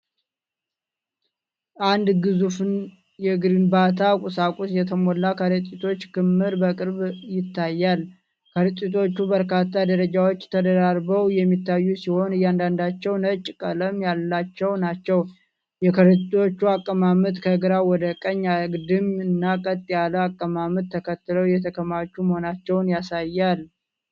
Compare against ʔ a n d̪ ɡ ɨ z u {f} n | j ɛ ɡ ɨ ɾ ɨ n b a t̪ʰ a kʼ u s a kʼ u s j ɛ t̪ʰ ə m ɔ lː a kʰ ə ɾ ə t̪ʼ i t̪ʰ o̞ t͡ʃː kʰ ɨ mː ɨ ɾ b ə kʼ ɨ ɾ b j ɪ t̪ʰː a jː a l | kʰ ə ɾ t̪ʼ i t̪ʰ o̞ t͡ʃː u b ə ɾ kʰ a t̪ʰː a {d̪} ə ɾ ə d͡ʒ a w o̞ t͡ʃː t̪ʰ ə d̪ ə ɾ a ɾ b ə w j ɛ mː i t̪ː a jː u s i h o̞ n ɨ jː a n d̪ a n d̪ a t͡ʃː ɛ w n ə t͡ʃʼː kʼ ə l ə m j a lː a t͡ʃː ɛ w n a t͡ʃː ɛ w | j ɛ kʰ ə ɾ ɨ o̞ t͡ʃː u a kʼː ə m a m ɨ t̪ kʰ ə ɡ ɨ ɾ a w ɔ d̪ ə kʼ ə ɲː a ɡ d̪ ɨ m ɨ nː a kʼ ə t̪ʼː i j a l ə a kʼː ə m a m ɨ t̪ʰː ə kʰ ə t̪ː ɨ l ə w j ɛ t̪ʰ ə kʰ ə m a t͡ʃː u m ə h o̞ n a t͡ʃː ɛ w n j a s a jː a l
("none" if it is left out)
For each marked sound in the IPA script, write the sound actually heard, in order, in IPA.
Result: f, d̪

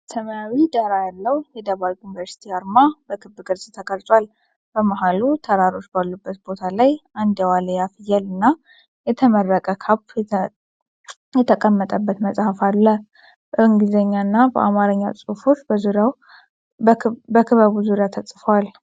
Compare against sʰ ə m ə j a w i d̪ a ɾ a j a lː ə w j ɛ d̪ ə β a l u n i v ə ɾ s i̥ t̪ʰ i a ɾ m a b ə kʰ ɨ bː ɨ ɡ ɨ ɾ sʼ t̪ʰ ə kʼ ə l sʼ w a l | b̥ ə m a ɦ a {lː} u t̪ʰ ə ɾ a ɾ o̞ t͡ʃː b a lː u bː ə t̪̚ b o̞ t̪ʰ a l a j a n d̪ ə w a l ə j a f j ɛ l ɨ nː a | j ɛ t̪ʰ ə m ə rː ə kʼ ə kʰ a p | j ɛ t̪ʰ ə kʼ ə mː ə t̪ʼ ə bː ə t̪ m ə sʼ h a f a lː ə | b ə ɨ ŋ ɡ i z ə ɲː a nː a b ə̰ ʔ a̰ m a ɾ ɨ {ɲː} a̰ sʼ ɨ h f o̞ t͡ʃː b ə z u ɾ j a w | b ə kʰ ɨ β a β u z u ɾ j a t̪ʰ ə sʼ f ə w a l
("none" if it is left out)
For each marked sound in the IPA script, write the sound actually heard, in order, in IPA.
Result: l, ɲː

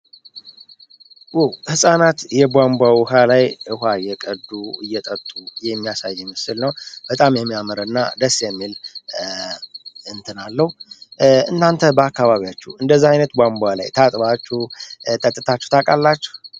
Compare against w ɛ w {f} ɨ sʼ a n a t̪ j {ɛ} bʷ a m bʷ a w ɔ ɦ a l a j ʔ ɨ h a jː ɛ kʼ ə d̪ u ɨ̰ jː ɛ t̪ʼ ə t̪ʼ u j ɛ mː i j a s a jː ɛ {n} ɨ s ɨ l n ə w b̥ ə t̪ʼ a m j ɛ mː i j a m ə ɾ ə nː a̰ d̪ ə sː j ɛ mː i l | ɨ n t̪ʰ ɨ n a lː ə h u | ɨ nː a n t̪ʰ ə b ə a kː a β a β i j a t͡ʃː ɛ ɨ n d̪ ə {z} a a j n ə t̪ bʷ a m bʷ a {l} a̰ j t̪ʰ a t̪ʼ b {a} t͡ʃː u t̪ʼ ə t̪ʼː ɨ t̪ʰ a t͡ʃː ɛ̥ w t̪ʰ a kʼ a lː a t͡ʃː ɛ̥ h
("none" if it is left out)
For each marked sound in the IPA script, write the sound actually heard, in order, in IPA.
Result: h, ɛ, m, zː, l, a

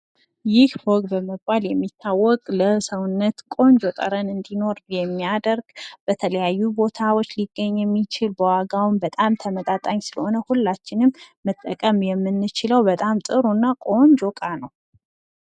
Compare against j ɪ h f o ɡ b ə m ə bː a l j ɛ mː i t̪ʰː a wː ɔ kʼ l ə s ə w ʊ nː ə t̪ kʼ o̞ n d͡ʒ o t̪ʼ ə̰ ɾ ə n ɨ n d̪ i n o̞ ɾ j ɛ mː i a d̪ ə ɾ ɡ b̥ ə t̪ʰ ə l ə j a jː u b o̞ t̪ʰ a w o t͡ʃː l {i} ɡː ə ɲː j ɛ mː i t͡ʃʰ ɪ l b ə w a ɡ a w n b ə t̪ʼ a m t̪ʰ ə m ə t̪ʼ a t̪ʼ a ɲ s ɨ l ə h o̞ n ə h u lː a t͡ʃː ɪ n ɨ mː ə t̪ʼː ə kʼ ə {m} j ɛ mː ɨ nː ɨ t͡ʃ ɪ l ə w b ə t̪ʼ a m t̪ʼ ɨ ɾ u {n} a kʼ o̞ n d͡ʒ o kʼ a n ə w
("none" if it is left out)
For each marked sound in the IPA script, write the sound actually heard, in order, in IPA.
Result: i, m, nː

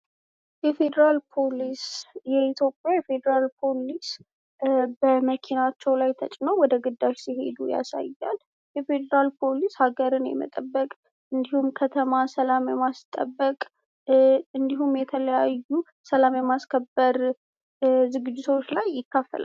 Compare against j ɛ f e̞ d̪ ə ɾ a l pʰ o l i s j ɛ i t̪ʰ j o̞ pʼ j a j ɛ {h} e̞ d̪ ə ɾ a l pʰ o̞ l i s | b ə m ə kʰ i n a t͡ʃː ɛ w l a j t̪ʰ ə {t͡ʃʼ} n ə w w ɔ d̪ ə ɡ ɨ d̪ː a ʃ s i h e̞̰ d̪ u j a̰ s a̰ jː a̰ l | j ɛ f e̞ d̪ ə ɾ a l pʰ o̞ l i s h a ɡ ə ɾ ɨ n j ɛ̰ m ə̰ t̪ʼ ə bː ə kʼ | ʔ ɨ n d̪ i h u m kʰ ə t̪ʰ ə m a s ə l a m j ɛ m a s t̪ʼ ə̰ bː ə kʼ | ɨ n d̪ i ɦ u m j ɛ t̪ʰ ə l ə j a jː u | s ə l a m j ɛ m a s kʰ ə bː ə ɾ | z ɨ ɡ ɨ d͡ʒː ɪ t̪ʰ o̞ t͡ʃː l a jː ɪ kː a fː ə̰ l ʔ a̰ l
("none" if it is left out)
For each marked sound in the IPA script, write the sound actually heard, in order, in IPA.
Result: f, t͡ʃʼ

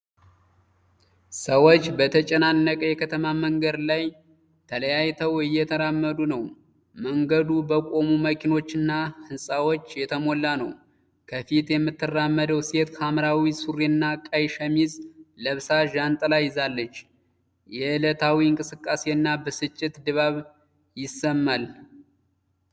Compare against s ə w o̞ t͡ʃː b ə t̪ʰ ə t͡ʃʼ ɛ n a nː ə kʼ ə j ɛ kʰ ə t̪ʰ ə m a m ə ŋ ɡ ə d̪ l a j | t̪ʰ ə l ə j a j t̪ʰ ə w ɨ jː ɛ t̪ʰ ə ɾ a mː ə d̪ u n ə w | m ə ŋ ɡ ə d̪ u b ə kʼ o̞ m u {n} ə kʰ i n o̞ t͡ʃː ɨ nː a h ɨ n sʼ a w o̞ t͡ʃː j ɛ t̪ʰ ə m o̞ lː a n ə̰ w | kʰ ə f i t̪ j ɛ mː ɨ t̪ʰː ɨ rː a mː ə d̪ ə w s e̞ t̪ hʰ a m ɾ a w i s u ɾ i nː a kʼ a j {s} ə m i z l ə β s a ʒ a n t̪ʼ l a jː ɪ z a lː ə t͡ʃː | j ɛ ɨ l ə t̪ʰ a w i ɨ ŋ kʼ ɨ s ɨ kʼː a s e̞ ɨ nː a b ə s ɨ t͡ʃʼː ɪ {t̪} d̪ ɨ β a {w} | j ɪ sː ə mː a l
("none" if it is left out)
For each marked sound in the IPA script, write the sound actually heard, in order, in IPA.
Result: m, ʃ, t̪, β

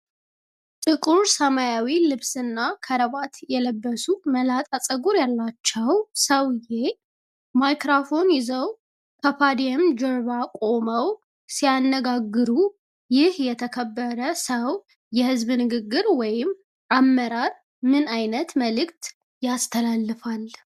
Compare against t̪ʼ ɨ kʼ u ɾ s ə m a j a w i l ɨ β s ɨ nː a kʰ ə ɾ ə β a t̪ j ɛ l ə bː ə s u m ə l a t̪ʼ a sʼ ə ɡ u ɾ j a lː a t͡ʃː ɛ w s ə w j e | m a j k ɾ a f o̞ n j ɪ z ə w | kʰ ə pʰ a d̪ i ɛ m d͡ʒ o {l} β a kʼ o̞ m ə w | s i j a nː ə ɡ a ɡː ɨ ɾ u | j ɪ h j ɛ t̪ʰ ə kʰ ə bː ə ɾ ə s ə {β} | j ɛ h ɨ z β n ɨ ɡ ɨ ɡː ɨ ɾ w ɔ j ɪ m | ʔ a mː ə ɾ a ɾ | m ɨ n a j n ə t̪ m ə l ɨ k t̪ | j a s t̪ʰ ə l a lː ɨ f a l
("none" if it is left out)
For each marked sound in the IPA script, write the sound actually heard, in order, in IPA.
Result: ɾ, w

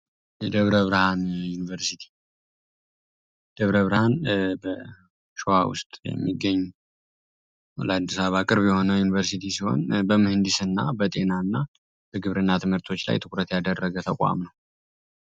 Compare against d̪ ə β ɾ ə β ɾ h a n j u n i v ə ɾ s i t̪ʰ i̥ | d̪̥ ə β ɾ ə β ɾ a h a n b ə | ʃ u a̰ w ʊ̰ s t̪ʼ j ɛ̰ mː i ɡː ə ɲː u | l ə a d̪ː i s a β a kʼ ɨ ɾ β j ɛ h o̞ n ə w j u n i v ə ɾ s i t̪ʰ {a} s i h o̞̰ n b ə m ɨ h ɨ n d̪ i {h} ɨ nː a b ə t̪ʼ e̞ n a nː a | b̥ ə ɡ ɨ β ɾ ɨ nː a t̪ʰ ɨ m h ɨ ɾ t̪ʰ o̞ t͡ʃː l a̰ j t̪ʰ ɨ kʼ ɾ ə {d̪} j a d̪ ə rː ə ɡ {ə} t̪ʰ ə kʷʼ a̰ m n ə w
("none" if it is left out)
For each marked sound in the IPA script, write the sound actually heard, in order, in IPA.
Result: i, s, t̪, ə

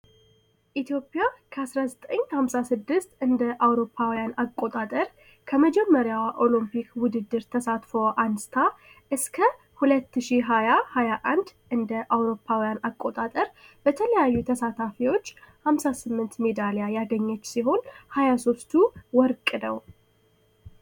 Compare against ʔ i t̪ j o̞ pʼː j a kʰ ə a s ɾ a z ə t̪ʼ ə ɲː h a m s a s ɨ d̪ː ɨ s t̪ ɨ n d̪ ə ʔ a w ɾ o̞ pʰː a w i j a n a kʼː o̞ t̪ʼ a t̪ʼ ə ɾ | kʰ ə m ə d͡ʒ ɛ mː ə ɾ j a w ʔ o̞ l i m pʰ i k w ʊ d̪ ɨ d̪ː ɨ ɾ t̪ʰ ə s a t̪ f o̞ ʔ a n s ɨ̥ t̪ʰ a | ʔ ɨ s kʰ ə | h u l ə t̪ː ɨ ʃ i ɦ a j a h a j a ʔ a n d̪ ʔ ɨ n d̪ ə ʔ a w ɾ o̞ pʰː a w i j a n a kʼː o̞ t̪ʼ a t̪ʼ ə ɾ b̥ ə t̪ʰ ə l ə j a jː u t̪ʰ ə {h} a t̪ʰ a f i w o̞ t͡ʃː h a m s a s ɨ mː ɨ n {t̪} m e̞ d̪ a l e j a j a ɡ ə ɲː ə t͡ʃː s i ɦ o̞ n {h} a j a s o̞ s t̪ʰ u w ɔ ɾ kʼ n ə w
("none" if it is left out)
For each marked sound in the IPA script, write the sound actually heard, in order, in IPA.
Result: s, t̪, h

